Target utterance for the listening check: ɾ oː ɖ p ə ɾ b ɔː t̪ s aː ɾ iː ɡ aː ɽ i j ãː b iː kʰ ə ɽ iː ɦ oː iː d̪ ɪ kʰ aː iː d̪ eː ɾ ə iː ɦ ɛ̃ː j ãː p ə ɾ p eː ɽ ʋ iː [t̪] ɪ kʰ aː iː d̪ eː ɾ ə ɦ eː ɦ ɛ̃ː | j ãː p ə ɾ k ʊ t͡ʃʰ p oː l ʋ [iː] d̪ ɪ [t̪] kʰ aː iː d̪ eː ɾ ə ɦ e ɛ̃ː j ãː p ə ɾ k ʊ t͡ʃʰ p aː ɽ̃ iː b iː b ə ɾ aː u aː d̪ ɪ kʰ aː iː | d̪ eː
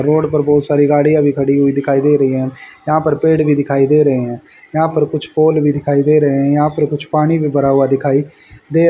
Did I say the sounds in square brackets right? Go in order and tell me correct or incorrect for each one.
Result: incorrect: d̪, correct, incorrect: none

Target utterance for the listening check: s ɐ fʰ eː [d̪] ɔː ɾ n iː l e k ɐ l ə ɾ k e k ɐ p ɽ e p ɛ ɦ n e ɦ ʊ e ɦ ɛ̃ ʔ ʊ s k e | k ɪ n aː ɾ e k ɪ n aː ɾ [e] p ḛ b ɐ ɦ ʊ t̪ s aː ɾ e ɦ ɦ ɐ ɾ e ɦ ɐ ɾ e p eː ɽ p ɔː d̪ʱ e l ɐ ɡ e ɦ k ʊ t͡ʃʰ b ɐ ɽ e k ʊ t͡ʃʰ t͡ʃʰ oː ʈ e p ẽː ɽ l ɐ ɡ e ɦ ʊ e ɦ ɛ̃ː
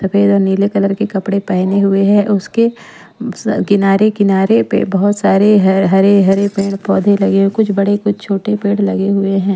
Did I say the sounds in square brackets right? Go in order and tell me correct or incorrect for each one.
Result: correct, correct

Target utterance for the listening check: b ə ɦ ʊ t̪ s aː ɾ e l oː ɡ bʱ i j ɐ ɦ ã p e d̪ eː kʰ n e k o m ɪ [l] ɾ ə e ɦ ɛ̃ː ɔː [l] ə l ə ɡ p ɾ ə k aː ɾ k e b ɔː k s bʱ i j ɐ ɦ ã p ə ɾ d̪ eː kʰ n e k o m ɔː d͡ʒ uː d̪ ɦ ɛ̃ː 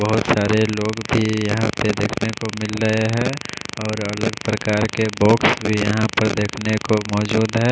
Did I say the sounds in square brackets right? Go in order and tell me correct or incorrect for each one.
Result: correct, incorrect: ɾ

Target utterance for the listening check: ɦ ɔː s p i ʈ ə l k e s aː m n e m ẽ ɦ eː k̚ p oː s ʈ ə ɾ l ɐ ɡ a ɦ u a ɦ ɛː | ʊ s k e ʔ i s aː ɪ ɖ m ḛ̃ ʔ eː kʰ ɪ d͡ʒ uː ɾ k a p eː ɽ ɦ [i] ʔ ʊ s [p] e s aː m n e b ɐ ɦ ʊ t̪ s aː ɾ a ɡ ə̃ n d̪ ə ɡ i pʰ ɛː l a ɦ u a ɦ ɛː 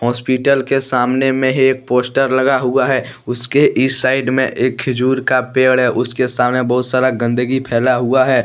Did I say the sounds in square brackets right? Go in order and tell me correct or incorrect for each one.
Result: incorrect: ɛ, incorrect: k

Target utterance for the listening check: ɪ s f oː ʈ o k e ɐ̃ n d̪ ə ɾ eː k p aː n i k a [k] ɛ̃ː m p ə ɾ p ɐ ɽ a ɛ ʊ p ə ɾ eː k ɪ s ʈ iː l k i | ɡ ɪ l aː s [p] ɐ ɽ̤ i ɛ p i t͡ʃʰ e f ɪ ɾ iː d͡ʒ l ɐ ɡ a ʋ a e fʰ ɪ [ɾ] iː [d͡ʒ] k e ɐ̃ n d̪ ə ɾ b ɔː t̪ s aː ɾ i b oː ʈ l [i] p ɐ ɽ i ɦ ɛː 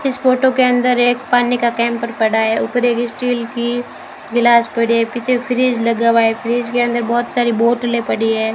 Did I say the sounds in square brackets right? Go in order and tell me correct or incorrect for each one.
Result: correct, correct, correct, correct, incorrect: e

